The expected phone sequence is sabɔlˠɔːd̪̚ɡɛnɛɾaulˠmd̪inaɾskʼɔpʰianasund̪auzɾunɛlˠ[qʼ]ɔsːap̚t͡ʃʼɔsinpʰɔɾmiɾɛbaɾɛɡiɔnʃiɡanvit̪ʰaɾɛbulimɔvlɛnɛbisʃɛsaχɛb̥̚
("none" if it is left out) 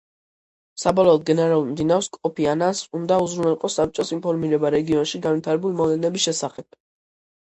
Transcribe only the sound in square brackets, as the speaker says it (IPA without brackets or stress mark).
qʼ